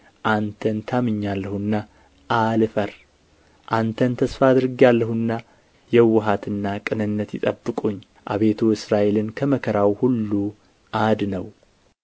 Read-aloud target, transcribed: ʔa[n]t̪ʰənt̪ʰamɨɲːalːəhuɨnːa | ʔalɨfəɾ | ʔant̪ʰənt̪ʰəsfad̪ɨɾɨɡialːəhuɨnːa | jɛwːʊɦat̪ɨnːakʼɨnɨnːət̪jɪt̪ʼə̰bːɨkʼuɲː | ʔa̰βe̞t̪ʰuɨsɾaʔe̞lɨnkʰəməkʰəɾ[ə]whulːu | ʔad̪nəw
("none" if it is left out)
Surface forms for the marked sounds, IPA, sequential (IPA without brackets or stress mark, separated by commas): n, a